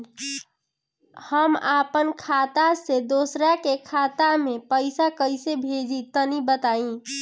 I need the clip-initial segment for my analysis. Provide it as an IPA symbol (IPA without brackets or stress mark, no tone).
h